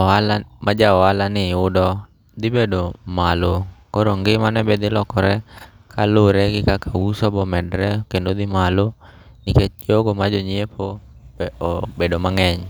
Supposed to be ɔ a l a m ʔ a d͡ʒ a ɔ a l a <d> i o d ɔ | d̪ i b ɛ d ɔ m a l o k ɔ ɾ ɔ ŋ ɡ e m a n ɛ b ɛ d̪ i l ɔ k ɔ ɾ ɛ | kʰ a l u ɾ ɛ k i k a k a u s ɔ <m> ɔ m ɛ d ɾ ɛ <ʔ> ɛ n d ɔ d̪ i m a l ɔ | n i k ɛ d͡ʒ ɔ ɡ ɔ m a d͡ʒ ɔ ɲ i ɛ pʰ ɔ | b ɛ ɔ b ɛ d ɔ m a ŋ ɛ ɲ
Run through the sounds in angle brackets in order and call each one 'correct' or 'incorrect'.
incorrect: n, incorrect: b, incorrect: k

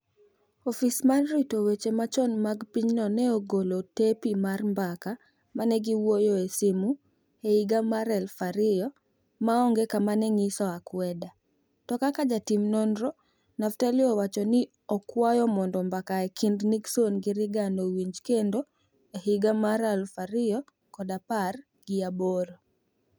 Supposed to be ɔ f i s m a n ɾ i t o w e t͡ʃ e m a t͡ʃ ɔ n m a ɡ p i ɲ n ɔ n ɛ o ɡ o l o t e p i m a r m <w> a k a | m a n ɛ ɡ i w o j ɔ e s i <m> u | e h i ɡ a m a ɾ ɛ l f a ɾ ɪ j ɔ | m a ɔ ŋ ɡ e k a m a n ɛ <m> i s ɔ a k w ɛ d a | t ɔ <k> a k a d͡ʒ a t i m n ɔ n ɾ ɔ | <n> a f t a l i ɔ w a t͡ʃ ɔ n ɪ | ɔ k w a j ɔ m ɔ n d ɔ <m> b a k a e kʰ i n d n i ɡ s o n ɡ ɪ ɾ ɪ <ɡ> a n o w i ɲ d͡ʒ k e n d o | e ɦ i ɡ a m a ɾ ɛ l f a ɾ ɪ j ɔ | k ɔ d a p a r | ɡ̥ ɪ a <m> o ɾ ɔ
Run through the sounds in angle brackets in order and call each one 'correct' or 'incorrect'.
incorrect: b, correct, incorrect: ŋ, correct, correct, correct, correct, incorrect: b

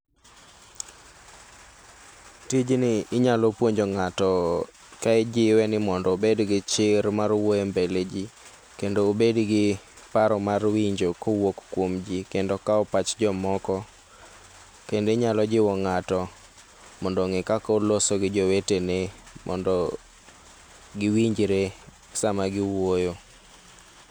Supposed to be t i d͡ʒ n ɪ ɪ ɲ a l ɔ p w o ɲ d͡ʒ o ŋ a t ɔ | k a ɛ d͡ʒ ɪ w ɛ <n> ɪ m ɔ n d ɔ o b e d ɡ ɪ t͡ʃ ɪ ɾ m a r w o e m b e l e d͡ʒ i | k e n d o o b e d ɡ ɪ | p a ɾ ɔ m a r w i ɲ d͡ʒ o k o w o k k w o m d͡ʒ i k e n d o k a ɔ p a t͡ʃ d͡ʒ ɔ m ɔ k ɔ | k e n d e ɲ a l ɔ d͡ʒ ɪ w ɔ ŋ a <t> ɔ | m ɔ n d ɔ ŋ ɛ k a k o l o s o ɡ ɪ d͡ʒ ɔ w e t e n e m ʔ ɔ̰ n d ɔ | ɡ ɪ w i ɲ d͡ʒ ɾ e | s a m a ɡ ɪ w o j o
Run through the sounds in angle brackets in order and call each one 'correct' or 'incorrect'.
correct, correct

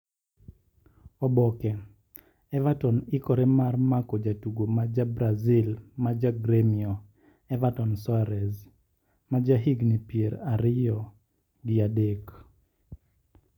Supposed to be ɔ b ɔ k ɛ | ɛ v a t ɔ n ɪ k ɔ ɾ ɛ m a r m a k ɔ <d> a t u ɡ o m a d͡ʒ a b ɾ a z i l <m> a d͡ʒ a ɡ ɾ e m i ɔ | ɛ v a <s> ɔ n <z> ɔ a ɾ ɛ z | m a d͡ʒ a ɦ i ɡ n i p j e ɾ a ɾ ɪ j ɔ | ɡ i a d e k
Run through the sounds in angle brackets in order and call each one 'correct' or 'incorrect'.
incorrect: d͡ʒ, correct, incorrect: t, incorrect: s

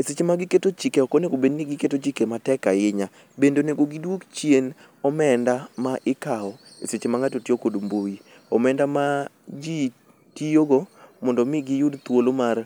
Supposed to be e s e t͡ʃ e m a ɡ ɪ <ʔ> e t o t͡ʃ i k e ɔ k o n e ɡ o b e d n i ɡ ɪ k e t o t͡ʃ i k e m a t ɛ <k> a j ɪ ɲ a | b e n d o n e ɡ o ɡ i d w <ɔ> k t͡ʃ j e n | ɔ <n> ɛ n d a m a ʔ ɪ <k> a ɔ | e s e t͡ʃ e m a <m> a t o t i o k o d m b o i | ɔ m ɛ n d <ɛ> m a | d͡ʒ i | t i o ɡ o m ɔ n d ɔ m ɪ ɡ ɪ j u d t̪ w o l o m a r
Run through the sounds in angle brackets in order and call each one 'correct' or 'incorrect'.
incorrect: k, correct, incorrect: o, incorrect: m, correct, incorrect: ŋ, incorrect: a

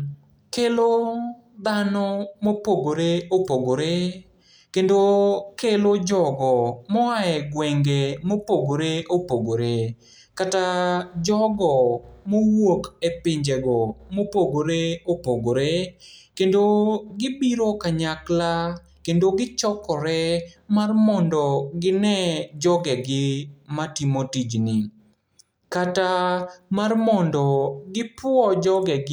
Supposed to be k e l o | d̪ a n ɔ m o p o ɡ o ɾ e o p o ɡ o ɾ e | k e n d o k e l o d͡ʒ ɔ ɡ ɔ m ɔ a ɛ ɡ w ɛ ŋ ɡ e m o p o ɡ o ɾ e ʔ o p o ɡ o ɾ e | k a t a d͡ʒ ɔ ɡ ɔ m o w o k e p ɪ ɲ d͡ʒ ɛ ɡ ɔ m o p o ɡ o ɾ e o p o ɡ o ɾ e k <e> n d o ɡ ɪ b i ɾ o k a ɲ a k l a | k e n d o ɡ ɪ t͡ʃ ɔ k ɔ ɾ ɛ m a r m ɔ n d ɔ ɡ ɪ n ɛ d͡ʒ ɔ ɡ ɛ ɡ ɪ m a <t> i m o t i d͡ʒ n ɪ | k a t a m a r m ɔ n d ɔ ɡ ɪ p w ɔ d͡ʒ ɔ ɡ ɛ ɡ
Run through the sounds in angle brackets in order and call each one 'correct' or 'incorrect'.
correct, correct

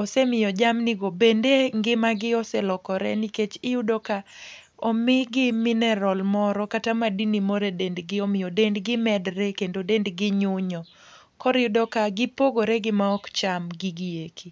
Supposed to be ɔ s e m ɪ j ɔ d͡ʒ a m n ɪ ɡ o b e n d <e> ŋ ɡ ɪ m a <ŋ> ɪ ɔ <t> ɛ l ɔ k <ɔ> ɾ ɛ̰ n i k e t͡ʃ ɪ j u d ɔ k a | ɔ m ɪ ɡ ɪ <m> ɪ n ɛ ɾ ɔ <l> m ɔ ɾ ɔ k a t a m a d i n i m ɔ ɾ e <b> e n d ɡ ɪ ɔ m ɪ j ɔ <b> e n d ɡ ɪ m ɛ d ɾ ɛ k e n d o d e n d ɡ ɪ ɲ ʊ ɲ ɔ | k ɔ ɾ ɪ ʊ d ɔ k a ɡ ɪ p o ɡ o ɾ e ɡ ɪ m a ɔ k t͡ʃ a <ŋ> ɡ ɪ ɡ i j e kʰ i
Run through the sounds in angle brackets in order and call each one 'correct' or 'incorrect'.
correct, incorrect: ɡ, incorrect: s, correct, correct, correct, incorrect: d, incorrect: d, incorrect: m

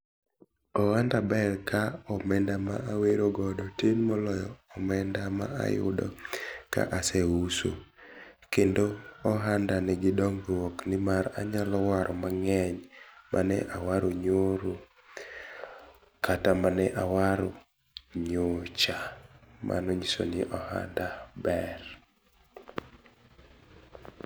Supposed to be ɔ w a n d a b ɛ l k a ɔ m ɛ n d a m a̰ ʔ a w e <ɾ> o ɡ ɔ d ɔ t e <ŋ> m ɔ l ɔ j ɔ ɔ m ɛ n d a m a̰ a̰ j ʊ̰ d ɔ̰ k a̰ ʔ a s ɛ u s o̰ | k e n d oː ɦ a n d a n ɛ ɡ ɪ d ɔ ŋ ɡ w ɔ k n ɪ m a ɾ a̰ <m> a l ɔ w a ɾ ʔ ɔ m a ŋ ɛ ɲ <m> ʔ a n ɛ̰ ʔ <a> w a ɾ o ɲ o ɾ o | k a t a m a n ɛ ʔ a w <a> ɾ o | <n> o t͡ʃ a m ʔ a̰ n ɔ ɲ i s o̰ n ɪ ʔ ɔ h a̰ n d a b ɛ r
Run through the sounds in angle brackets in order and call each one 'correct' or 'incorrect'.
correct, incorrect: n, incorrect: ɲ, correct, correct, correct, incorrect: ɲ

